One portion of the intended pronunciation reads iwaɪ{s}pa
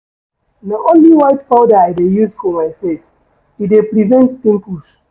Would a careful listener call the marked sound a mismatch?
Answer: yes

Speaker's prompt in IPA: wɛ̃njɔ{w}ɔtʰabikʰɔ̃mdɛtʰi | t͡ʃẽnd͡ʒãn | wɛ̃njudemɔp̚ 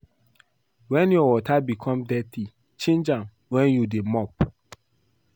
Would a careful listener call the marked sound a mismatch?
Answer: no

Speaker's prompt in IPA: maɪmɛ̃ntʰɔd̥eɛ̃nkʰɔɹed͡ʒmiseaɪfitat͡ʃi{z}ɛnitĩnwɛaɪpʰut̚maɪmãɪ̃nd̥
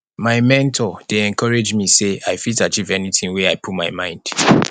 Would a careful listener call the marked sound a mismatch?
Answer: yes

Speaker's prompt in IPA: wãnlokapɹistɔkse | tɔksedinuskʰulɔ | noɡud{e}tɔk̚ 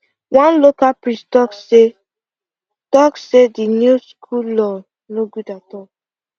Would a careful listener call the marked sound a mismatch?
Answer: yes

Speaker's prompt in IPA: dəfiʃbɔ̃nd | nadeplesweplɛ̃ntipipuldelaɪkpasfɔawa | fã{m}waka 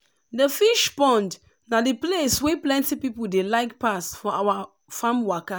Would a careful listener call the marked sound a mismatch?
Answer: no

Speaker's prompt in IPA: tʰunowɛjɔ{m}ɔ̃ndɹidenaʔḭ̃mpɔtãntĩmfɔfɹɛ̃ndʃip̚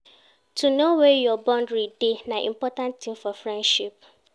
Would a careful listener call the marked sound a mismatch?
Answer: yes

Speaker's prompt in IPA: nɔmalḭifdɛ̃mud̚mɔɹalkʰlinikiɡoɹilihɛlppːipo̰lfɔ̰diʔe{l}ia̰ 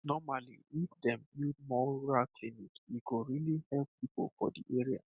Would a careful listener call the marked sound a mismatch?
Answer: yes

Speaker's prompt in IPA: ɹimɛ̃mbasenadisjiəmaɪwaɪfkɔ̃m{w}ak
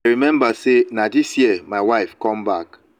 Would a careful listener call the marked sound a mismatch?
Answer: yes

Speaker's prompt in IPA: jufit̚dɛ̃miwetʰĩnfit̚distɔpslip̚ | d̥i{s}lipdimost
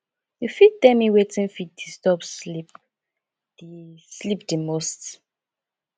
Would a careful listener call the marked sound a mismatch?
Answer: no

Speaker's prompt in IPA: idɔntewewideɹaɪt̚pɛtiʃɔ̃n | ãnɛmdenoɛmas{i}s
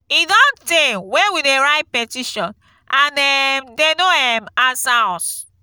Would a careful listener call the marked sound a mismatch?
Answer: yes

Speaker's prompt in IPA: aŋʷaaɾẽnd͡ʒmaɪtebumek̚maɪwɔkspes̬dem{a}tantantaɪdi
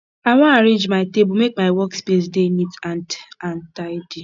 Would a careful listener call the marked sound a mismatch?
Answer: yes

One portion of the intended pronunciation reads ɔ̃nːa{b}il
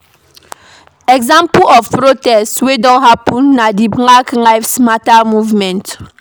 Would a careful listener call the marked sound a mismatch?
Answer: yes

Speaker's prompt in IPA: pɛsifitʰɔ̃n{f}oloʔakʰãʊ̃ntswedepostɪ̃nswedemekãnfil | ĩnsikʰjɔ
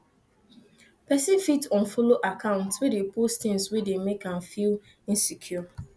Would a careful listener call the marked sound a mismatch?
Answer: no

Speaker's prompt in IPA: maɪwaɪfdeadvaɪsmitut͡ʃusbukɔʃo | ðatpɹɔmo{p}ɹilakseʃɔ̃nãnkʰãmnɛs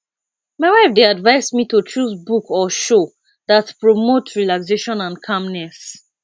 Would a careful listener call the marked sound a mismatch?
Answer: yes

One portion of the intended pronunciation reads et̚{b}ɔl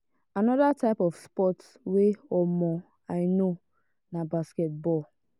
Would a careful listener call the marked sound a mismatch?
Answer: no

